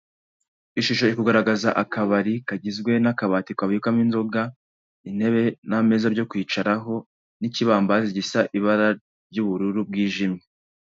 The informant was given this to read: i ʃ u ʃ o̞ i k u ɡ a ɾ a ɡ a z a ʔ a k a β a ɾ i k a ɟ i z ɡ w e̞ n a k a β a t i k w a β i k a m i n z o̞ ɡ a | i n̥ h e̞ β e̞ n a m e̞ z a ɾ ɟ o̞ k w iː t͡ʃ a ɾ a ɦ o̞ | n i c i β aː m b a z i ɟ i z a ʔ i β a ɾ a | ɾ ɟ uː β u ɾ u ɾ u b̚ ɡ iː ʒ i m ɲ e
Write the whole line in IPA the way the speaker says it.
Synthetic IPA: i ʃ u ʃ o̞ i k u ɡ a ɾ a ɡ a z a ʔ a k a β a ɾ i k a ɟ i z ɡ w e̞ n a k a β a t i k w a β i k a m i n z o̞ ɡ a | i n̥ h e̞ β e̞ n a m e̞ z a ɾ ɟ o̞ k w iː t͡ʃ a ɾ a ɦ o̞ | n i c i β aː m b a z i ɟ i s a ʔ i β a ɾ a | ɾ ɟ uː β u ɾ u ɾ u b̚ ɡ iː ʒ i m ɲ e